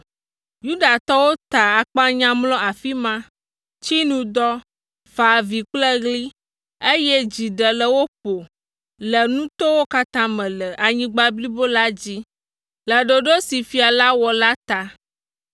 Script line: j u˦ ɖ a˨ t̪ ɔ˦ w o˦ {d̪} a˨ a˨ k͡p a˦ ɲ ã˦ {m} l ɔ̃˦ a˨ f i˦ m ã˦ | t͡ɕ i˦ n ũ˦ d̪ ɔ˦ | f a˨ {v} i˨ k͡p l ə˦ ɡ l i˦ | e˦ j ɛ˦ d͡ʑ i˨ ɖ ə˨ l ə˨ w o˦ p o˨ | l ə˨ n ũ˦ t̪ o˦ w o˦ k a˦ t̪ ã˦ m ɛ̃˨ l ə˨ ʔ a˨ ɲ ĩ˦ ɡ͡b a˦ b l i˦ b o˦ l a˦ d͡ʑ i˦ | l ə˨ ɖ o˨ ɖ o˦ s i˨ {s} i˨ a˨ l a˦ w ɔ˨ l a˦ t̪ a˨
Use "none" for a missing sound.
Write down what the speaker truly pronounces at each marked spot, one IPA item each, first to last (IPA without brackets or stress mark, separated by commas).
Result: t̪, m, v, f